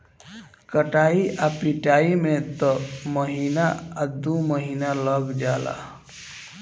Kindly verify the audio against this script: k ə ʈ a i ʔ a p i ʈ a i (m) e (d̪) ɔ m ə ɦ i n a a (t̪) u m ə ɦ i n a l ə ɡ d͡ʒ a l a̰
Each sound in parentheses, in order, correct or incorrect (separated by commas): correct, incorrect, incorrect